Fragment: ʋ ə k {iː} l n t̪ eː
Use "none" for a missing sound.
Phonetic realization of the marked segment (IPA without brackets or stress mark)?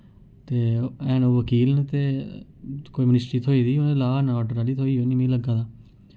iː